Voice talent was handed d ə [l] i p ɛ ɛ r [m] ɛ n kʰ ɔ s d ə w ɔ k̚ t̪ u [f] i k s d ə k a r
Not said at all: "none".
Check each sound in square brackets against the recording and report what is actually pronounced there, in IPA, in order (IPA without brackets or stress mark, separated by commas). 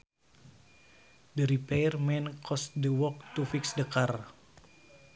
ɾ, m, f